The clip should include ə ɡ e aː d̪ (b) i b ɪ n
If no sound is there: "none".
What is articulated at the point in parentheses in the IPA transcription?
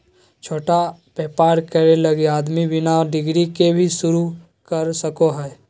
m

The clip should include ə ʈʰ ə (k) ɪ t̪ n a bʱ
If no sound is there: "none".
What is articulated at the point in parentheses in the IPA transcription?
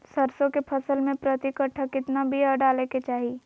k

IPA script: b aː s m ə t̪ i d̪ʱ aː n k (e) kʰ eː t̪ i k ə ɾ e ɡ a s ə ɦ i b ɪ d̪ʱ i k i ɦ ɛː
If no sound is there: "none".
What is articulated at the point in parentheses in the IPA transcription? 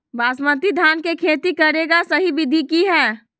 e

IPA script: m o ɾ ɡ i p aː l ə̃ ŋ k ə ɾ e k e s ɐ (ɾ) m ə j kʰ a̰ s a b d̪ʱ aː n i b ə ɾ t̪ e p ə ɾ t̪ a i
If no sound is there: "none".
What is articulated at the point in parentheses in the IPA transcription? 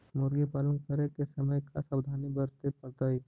none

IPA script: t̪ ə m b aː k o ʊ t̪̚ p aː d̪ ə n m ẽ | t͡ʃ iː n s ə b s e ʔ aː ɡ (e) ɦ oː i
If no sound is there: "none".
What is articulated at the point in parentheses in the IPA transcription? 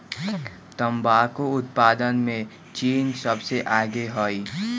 e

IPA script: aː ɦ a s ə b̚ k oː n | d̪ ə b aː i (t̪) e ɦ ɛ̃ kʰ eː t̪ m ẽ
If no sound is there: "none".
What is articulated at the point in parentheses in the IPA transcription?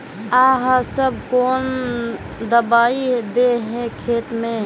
d̪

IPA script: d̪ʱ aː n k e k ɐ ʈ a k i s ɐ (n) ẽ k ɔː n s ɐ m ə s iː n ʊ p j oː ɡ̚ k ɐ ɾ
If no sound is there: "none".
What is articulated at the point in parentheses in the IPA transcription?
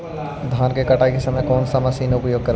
m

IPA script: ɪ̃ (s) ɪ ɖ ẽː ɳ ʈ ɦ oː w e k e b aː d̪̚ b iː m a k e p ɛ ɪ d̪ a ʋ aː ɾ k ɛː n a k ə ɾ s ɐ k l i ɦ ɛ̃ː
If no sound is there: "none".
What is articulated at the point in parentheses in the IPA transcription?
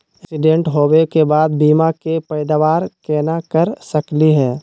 s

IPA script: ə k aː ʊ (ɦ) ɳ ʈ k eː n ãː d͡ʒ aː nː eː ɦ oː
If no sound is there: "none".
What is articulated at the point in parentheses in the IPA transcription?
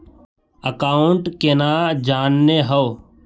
none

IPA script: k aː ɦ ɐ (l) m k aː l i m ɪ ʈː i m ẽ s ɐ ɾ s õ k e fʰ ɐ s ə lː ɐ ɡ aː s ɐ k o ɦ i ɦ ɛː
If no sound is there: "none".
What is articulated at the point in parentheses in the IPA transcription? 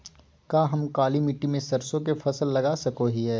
none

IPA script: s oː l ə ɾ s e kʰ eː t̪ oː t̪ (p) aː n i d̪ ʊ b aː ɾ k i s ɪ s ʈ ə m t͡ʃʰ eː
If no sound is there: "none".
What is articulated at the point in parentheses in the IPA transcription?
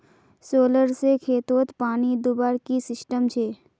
p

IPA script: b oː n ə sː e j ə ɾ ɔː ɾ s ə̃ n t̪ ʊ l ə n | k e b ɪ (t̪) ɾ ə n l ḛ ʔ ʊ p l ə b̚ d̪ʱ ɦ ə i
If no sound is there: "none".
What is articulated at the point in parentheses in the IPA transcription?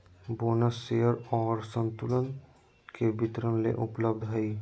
t̪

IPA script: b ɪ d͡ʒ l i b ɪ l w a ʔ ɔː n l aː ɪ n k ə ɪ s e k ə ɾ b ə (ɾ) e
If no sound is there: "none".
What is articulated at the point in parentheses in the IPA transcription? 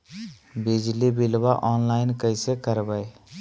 none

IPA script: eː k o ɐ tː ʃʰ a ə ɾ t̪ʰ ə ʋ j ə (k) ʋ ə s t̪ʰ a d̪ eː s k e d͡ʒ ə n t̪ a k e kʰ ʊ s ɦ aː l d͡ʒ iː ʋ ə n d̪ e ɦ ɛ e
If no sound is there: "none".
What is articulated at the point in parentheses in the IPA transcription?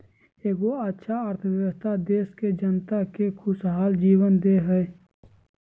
none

